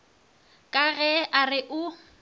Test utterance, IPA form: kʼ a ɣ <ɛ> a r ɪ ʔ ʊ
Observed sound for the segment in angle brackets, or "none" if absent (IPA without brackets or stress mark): ɛ